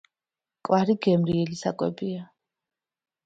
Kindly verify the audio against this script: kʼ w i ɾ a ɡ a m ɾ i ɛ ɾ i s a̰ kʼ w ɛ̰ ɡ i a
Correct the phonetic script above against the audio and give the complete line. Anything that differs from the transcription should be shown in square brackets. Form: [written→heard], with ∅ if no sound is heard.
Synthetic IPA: kʼ w [i→a] ɾ [a→i] ɡ [a→ɛ] m ɾ i ɛ [ɾ→l] i s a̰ kʼ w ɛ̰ [ɡ→b] i a